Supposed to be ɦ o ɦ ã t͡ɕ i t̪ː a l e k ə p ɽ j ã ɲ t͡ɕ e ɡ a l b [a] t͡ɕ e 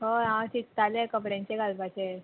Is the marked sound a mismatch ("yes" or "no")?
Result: no